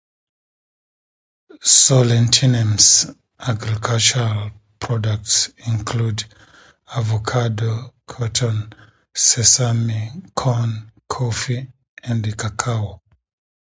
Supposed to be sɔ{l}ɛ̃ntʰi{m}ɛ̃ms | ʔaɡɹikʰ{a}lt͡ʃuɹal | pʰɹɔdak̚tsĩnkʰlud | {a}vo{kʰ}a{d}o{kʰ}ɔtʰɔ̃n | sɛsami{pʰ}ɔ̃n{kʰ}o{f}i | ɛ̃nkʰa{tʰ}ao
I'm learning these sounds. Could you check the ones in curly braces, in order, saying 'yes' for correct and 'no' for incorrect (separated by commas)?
yes, no, yes, yes, yes, yes, yes, no, yes, yes, no